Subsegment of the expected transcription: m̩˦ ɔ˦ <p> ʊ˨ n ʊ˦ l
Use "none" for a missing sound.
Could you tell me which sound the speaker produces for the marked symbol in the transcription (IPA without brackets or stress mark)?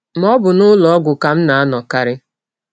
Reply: b